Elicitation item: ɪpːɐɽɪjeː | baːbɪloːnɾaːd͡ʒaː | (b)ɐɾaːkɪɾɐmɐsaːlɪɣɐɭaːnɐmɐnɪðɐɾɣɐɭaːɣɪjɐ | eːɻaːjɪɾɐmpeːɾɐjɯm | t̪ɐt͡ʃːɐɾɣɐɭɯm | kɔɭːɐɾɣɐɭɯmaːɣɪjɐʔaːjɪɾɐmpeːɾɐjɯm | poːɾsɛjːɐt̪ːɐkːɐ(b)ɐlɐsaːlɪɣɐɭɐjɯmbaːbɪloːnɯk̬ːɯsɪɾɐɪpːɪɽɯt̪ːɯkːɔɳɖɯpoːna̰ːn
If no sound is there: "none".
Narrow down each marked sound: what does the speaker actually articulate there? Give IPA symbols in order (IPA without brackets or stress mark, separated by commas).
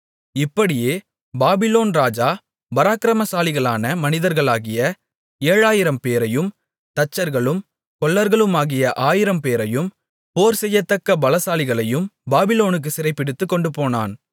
b, b